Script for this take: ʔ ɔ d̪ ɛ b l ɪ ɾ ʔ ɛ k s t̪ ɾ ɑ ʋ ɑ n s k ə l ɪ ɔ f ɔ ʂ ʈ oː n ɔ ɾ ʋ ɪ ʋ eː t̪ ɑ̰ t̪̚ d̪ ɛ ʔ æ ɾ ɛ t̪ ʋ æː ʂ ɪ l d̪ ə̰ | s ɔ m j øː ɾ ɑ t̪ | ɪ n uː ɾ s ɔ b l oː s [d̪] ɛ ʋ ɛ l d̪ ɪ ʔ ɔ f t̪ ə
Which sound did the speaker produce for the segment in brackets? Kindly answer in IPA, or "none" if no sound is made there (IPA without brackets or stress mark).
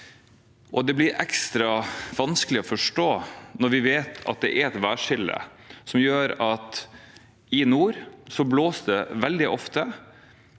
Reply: d̪